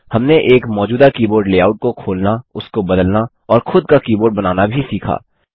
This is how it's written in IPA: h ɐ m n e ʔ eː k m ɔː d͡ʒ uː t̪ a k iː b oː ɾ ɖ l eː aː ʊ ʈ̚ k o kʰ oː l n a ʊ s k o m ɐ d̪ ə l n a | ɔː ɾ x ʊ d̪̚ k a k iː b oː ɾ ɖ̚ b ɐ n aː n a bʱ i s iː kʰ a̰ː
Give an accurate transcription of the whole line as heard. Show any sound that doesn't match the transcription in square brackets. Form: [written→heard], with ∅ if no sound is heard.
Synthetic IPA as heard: h ɐ m n e ʔ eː k m ɔː d͡ʒ uː [t̪→d̪] a k iː b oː ɾ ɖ l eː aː ʊ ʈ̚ k o kʰ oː l n a ʊ s k o [m→b] ɐ d̪ ə l n a | ɔː ɾ x ʊ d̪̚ k a k iː b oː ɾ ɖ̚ b ɐ n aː n a bʱ i s iː kʰ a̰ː